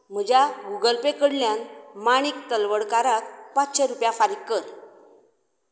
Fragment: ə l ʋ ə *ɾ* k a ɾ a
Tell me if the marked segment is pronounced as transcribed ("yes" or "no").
no